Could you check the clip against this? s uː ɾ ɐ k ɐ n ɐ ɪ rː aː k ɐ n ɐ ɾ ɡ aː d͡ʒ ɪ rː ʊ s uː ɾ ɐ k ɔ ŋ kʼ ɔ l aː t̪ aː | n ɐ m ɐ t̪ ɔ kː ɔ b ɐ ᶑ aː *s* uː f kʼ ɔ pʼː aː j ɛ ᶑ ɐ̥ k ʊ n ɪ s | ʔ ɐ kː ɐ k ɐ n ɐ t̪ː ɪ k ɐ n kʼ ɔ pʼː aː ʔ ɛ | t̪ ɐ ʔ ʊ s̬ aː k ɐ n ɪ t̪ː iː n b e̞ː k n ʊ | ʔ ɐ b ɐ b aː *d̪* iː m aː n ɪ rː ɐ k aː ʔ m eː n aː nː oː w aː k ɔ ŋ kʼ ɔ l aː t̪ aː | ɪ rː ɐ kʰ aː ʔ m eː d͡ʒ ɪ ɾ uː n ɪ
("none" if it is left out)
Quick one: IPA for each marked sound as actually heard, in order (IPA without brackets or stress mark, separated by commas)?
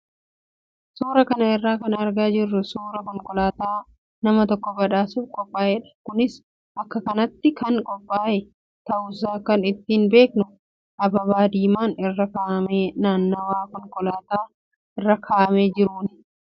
s, d̪